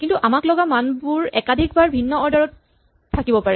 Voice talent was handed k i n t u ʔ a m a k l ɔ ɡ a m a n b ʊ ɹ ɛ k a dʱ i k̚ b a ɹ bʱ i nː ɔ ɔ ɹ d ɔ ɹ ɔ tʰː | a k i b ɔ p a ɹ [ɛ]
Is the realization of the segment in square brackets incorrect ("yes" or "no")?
no